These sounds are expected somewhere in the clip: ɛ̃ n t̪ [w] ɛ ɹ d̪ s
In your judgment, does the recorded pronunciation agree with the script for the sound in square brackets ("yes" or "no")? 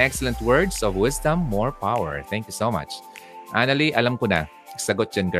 yes